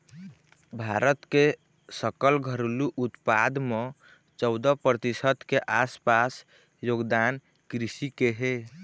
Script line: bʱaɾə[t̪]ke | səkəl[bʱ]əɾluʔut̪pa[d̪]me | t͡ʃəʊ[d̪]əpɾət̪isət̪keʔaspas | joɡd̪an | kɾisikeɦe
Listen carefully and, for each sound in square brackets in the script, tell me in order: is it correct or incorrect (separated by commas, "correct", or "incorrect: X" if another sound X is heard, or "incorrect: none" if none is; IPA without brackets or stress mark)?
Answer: correct, incorrect: ɡʱ, correct, correct